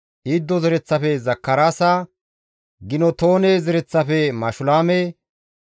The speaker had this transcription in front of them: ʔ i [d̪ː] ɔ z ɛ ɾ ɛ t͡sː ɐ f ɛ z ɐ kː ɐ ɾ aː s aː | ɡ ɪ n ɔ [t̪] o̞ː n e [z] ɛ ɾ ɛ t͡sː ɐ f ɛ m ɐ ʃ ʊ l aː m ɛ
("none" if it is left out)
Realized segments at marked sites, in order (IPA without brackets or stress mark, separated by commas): d̪ː, t̪, z